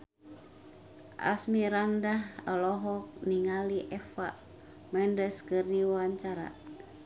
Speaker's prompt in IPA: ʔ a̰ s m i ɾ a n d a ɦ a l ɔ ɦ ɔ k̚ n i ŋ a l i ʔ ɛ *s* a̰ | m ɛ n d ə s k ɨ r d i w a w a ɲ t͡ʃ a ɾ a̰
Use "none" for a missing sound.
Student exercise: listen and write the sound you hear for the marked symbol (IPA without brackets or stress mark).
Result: f